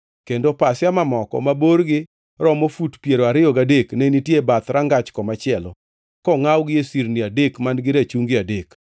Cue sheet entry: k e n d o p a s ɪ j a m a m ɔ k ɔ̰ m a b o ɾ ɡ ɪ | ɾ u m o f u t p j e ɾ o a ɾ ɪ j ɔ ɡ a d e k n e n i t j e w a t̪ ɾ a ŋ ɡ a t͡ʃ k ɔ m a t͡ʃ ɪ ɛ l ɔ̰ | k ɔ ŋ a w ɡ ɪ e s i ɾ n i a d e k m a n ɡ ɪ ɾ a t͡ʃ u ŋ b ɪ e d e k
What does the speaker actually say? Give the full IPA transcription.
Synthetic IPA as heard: k e n d o p a s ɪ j a m a m ɔ k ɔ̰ m a b o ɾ ɡ ɪ | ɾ ɔ m o f u t p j e ɾ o a ɾ ɪ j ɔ ɡ a d e k n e n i t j e b a t̪ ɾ a ŋ ɡ a t͡ʃ k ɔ m a t͡ʃ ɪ ɛ l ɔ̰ | k ɔ ŋ a w ɡ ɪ e s i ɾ n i a d e k m a n ɡ ɪ ɾ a t͡ʃ u ŋ ɡ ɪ a d e k